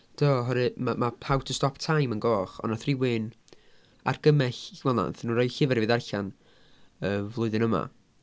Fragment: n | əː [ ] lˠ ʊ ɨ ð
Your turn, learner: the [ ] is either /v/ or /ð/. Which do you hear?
v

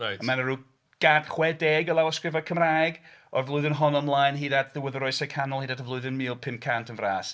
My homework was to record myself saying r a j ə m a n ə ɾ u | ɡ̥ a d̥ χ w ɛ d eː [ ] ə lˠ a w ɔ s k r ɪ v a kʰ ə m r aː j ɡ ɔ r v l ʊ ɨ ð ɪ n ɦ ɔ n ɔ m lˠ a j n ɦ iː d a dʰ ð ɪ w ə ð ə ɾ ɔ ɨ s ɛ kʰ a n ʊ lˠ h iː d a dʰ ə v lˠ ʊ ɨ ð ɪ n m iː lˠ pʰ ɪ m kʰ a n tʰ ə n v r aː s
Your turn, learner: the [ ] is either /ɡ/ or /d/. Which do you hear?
ɡ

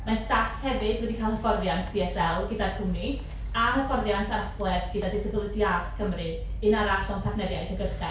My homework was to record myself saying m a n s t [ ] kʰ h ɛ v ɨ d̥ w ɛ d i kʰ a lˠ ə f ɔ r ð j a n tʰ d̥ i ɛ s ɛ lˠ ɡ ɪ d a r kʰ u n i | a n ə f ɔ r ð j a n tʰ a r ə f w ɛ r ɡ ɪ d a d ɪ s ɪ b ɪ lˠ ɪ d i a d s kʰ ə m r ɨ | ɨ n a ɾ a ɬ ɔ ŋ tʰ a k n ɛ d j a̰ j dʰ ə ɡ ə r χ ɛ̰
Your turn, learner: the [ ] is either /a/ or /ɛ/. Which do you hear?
a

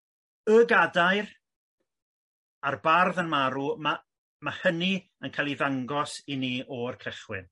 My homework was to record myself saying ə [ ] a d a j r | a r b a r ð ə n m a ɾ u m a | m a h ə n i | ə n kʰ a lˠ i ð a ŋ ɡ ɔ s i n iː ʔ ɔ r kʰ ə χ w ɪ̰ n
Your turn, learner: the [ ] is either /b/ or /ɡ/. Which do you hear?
ɡ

